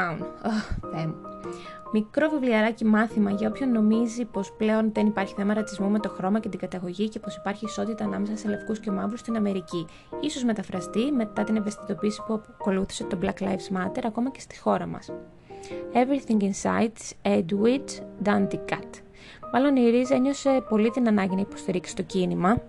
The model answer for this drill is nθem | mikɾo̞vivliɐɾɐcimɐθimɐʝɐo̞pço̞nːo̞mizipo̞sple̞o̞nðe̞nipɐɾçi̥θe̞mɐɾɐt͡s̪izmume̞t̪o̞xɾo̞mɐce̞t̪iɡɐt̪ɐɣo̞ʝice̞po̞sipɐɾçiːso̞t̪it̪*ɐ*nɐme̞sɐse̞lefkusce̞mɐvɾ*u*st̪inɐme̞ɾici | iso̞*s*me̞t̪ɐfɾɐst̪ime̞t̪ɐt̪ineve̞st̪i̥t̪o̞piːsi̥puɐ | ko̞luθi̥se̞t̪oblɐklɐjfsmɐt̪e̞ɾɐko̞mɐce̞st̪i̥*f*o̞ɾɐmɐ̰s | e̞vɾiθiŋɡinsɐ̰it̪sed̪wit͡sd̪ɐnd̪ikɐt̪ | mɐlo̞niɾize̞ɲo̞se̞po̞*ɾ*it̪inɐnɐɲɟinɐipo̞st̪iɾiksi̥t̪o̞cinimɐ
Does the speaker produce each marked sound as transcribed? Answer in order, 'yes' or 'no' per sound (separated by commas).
no, yes, no, no, no